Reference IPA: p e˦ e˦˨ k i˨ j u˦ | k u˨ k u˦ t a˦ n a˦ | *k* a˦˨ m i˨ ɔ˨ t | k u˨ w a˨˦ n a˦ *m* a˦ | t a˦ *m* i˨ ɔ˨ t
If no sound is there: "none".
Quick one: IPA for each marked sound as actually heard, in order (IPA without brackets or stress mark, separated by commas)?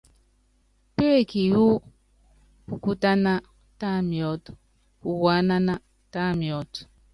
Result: t, n, m